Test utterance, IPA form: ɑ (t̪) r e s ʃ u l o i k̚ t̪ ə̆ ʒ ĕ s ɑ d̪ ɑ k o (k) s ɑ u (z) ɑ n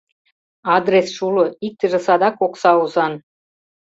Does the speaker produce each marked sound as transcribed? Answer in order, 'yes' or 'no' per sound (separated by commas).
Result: no, yes, yes